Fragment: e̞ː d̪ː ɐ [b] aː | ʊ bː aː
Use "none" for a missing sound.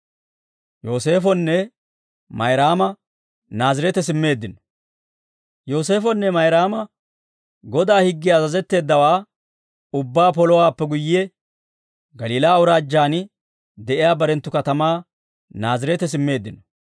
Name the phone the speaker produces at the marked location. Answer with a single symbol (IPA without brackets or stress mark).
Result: w